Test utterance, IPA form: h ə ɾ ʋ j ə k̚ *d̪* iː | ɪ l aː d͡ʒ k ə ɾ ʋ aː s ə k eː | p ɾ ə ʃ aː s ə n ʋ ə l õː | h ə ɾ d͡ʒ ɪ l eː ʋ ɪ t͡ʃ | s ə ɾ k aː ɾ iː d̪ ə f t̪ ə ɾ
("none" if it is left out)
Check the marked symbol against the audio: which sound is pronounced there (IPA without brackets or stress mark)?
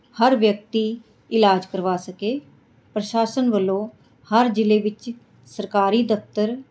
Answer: t̪